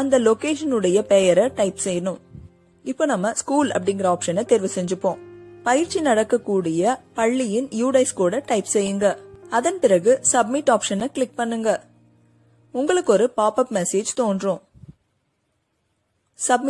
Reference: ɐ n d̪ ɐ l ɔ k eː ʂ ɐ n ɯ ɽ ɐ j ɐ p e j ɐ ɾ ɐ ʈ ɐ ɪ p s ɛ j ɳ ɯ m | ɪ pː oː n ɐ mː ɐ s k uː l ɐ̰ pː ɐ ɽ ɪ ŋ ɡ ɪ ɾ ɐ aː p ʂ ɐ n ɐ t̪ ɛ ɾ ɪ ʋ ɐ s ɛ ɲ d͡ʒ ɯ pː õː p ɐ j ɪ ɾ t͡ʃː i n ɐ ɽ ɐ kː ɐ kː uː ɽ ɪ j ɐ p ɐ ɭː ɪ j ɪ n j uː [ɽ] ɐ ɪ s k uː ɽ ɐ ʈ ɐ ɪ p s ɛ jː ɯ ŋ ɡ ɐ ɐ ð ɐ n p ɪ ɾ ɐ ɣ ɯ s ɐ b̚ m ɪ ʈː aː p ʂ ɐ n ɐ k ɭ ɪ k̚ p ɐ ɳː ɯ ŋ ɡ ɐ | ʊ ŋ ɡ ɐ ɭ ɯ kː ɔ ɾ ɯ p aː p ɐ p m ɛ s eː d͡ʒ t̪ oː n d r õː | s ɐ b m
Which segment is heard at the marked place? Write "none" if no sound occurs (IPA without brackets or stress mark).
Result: ɽ